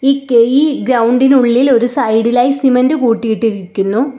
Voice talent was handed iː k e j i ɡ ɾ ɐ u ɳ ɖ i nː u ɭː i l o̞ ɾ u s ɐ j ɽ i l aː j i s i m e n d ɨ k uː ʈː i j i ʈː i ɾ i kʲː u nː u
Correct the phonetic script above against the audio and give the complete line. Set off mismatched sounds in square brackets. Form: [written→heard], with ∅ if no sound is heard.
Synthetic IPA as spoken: iː k e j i ɡ ɾ ɐ [u→w] ɳ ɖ i [nː→n] u ɭː i l o̞ ɾ u s ɐ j ɽ i l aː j i s i m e n d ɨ k uː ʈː i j i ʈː i ɾ i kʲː u nː u